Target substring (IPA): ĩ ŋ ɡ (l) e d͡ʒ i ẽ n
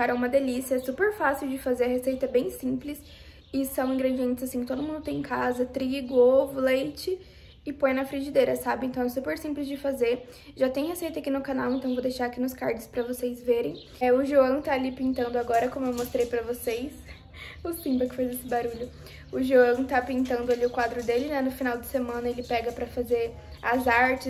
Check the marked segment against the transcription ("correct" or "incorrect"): incorrect